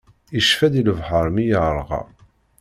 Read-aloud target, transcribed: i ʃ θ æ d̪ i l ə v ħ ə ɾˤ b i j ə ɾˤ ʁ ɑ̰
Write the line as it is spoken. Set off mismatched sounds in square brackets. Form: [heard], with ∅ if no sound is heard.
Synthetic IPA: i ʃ [f] æ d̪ i l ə v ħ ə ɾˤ [m] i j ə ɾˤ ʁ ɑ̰